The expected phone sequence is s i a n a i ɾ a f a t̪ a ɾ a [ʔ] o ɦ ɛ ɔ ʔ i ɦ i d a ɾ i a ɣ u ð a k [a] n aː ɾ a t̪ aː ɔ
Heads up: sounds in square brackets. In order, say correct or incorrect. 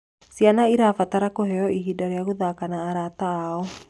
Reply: incorrect, correct

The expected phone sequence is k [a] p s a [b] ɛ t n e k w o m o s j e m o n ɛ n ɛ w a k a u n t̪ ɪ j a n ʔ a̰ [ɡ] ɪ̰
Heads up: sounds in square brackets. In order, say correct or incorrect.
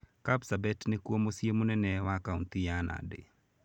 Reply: correct, correct, incorrect

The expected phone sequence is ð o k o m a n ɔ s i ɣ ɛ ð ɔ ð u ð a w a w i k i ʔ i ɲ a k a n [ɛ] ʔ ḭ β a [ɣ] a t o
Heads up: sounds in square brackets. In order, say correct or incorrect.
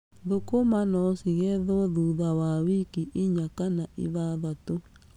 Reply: incorrect, incorrect

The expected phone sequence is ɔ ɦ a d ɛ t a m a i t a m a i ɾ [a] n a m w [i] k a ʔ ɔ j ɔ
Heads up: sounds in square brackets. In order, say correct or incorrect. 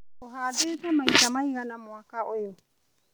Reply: correct, incorrect

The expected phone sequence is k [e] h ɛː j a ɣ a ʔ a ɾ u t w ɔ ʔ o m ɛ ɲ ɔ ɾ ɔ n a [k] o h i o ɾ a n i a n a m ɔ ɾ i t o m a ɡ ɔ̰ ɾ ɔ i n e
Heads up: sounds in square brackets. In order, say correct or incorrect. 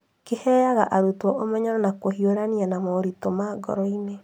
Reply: correct, correct

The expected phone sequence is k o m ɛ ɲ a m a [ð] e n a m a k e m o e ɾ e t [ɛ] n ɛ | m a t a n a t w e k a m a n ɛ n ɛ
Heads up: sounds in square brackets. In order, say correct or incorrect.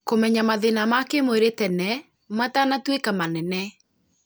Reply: correct, correct

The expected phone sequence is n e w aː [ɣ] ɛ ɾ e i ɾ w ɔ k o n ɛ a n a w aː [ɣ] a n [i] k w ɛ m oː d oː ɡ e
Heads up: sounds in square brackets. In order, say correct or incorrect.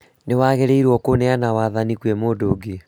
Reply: correct, incorrect, correct

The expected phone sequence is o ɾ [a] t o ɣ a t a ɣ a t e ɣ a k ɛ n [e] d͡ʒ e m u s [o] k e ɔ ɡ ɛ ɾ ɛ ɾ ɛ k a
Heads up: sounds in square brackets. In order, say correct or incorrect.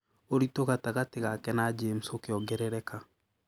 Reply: incorrect, incorrect, correct

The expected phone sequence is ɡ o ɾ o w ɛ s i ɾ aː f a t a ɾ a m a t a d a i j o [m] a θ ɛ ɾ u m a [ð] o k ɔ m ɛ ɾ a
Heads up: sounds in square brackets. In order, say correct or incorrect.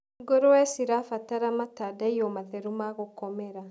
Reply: correct, incorrect

